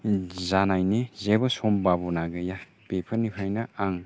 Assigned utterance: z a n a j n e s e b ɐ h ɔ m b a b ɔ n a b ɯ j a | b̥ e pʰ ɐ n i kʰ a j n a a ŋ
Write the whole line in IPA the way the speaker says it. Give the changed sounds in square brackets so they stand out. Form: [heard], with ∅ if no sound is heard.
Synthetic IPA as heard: z a n a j n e [z] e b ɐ [s] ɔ m b a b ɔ n a [ɡ] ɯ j a | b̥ e pʰ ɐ n i [pʰ] a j n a a ŋ